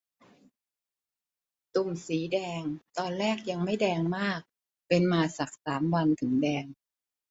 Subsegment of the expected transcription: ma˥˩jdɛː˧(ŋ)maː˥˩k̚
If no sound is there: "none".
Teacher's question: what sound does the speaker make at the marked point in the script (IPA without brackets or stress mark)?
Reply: ŋ